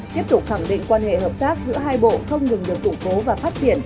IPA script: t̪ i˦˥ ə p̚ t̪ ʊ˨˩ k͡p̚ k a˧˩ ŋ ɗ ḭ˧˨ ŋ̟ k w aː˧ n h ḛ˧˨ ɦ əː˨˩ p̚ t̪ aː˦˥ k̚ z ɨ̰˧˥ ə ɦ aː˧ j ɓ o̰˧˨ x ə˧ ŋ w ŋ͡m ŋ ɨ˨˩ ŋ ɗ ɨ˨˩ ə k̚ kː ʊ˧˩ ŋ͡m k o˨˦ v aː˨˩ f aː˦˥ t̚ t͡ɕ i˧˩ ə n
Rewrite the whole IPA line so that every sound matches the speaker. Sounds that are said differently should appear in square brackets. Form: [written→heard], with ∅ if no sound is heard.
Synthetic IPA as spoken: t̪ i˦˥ ə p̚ t̪ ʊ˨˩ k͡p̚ [k→x] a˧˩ ŋ ɗ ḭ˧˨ ŋ̟ k w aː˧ n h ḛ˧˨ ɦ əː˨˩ p̚ t̪ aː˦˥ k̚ z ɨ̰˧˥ ə ɦ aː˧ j ɓ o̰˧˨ x ə˧ [ŋ→∅] w ŋ͡m ŋ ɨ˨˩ ŋ ɗ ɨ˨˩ ə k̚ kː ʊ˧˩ ŋ͡m k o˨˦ v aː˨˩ f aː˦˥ t̚ t͡ɕ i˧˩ ə n